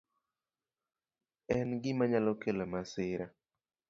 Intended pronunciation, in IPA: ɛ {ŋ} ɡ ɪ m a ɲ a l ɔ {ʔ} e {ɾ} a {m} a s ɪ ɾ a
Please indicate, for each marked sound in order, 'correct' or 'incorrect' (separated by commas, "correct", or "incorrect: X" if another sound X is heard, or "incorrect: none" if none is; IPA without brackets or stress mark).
incorrect: n, incorrect: k, incorrect: l, correct